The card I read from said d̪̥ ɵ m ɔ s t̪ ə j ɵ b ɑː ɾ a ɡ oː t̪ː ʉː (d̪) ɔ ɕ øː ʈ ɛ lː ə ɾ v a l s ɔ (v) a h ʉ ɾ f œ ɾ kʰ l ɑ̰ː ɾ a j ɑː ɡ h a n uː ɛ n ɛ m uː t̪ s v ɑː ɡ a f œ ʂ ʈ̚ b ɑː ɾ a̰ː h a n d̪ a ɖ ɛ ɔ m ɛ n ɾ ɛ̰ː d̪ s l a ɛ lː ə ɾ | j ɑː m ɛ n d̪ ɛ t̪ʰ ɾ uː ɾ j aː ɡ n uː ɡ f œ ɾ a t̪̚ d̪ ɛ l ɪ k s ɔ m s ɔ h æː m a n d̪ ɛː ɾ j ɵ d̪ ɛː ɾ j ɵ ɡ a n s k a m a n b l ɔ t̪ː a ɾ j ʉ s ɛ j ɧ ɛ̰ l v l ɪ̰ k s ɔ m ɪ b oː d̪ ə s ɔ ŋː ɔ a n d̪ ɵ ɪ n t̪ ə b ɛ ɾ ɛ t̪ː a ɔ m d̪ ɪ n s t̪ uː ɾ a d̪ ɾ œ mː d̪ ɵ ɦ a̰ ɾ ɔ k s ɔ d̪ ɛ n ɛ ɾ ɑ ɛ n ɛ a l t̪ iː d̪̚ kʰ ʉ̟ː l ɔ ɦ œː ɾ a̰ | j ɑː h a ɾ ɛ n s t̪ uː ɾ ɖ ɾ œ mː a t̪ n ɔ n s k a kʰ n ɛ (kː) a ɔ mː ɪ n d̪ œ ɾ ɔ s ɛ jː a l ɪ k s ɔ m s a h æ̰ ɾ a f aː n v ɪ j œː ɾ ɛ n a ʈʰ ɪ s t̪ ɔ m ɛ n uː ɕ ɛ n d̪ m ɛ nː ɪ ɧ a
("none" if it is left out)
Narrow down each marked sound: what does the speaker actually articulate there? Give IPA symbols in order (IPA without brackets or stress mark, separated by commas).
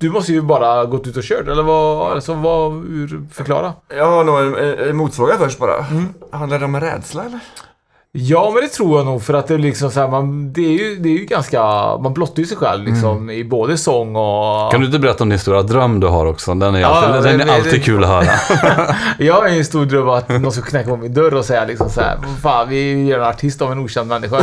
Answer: t̪, v, kː